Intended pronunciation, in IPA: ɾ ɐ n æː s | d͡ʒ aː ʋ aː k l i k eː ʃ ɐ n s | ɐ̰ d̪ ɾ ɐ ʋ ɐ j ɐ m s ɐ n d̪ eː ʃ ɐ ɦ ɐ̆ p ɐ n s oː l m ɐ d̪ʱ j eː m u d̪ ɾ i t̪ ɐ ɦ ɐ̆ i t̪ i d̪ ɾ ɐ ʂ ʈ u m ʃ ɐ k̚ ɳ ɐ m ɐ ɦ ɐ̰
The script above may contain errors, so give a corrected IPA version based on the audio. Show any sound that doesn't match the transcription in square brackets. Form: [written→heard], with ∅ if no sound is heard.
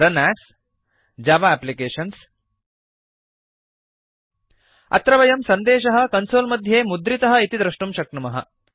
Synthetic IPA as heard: ɾ ɐ n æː s | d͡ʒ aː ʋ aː [k→p] l i k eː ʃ ɐ n s | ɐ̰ [d̪→t̪] ɾ ɐ ʋ ɐ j ɐ m s ɐ n d̪ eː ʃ ɐ ɦ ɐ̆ [p→k] ɐ n s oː l m ɐ d̪ʱ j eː m u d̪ ɾ i t̪ ɐ ɦ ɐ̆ i t̪ i d̪ ɾ ɐ ʂ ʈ u m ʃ ɐ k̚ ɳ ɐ m ɐ ɦ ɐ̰